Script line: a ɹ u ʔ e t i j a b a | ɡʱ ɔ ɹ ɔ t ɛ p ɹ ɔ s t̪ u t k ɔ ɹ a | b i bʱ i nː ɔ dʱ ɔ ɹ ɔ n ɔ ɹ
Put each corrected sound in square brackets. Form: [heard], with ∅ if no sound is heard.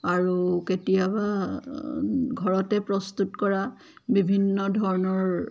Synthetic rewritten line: a ɹ u [k] e t i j a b a | ɡʱ ɔ ɹ ɔ t ɛ p ɹ ɔ s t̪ u t k ɔ ɹ a | b i bʱ i nː ɔ dʱ ɔ ɹ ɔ n ɔ ɹ

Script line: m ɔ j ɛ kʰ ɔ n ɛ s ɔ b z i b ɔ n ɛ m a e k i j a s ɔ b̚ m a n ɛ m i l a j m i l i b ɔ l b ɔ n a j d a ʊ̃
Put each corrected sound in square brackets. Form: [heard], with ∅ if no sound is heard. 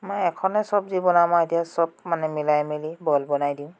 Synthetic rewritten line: m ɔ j ɛ kʰ ɔ n ɛ s ɔ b z i b ɔ n [a] m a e [t] i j a s ɔ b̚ m a n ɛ m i l a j m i l i b ɔ l b ɔ n a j d [i] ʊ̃

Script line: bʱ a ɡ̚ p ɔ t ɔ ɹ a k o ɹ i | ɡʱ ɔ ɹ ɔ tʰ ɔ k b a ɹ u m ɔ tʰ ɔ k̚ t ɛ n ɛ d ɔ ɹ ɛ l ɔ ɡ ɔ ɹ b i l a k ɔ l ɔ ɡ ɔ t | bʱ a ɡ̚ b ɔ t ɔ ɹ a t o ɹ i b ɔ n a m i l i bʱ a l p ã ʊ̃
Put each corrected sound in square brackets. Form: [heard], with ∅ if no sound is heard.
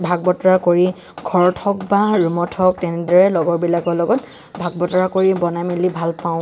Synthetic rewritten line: bʱ a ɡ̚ [b] ɔ t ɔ ɹ a k o ɹ i | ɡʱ ɔ ɹ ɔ tʰ ɔ k b a ɹ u m ɔ tʰ ɔ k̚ t ɛ n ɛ d ɔ ɹ ɛ l ɔ ɡ ɔ ɹ b i l a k ɔ l ɔ ɡ ɔ t | bʱ a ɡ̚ b ɔ t ɔ ɹ a [k] o ɹ i b ɔ n a m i l i bʱ a l p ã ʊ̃

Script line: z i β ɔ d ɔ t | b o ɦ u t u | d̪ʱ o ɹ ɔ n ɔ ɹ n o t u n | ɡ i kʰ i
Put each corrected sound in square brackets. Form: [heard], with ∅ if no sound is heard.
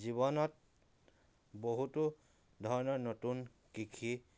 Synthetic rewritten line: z i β ɔ [n] ɔ t | b o ɦ u t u | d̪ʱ [ɔ] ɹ ɔ n ɔ ɹ n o t u n | [k] i kʰ i

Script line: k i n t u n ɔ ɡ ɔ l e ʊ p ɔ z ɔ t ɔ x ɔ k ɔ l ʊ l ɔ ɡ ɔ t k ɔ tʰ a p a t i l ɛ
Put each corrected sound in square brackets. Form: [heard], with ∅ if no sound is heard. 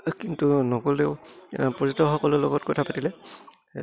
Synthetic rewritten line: k i n t u n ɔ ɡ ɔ l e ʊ p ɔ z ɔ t ɔ x ɔ k ɔ l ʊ l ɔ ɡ ɔ t k ɔ tʰ a p a t i l ɛ

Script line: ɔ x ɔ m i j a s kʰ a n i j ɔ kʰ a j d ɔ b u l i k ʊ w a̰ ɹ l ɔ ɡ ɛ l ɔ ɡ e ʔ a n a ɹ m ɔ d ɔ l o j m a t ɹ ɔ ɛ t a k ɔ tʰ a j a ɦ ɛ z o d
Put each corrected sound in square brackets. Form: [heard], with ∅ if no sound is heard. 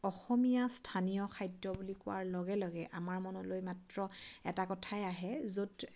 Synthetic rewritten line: ɔ x ɔ m i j a s [tʰ] a n i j ɔ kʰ a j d ɔ b u l i k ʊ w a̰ ɹ l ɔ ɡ ɛ l ɔ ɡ [ɛ] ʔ a [m] a ɹ m ɔ [n] ɔ l o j m a t ɹ ɔ ɛ t a k ɔ tʰ a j a ɦ ɛ z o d

